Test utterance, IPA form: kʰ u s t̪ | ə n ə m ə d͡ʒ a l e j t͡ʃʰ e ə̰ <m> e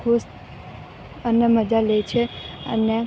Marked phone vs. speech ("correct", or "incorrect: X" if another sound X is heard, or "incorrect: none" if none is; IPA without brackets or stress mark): incorrect: n